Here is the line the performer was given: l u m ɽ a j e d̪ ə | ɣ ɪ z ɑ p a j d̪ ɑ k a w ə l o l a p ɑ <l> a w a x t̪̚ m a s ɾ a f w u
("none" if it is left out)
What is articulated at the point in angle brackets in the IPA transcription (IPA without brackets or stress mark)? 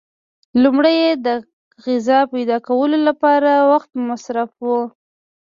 ɾ